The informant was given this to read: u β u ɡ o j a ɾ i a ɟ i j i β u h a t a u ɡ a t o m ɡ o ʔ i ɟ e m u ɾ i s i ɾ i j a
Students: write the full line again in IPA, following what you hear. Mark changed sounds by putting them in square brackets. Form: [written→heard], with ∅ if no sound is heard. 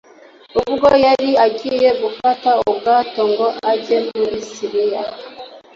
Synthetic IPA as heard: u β u ɡ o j a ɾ i a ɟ i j [i→e] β u [h→f] a t a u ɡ a t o [m→ŋ] ɡ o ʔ [i→a] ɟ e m u ɾ i s i ɾ i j a